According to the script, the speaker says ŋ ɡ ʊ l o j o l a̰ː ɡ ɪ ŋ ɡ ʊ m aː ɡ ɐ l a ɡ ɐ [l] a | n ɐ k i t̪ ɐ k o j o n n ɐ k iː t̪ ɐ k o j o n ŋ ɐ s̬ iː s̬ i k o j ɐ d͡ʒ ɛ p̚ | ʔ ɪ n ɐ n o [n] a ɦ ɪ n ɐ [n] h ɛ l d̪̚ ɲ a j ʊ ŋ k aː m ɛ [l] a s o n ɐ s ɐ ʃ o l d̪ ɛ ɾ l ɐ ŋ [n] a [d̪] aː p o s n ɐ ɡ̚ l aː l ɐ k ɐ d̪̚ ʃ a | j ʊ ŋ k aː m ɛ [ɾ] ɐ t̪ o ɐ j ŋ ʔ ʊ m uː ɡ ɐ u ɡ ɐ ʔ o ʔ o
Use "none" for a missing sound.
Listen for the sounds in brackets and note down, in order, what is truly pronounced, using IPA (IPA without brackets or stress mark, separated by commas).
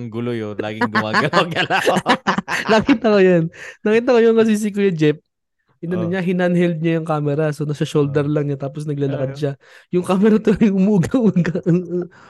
l, ɲ, n, ɾ, ɲ, t̪, ɾ